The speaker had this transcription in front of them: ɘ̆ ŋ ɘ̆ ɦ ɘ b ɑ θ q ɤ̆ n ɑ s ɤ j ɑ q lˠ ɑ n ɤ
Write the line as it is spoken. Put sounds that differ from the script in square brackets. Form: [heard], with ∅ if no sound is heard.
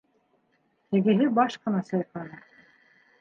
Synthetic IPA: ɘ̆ [ɡ] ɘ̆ ɦ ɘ b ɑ [ʃ] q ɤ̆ n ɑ s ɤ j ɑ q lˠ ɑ n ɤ